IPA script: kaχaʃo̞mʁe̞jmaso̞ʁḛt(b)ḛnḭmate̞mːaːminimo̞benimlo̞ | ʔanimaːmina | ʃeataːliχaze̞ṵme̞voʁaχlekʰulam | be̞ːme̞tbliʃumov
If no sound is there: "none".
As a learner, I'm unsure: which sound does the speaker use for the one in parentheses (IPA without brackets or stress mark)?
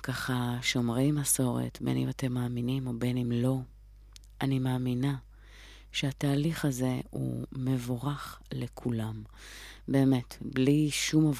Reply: b